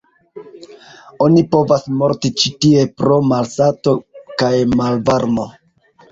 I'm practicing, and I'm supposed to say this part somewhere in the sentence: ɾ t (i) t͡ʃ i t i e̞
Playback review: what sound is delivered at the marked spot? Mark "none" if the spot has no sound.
i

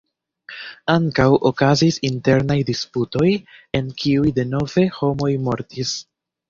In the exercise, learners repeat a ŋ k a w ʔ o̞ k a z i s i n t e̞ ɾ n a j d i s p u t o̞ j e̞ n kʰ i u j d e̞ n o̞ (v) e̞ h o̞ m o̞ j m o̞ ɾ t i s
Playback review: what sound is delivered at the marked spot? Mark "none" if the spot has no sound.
v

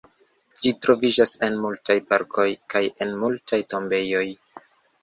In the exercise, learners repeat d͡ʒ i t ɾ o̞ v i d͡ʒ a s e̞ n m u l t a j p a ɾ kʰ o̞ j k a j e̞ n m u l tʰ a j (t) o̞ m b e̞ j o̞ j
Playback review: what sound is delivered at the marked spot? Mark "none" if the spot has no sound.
t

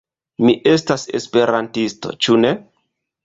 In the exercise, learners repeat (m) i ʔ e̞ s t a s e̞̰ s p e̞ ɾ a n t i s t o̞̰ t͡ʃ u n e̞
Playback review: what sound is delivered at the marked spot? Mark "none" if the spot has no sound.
m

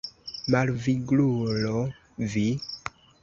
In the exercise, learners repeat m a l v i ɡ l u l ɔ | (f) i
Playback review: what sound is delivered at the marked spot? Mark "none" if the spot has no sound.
v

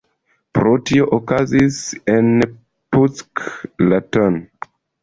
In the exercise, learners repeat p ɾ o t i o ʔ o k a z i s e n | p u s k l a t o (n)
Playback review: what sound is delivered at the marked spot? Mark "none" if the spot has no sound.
n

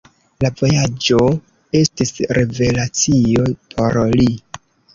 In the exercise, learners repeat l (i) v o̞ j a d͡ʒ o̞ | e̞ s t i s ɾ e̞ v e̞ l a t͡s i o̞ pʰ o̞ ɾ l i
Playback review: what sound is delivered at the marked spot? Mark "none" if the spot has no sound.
a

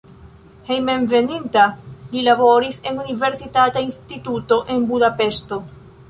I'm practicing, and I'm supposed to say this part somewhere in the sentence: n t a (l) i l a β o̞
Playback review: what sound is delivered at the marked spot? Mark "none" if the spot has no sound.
l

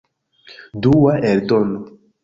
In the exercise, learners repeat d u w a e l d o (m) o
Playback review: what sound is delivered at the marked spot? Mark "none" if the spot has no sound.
n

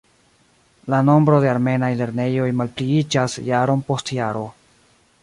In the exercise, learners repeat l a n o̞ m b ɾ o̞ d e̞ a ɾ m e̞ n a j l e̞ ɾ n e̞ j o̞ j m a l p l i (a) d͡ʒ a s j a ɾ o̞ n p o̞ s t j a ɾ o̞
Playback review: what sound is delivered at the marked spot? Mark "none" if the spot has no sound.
i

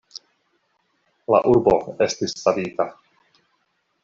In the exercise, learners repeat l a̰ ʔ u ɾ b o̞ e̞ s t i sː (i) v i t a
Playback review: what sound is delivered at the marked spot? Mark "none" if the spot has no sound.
a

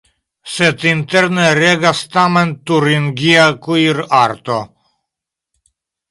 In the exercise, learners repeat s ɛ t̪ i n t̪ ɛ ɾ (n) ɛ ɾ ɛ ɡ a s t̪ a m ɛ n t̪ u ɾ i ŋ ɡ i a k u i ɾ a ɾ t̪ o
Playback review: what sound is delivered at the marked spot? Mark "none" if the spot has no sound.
n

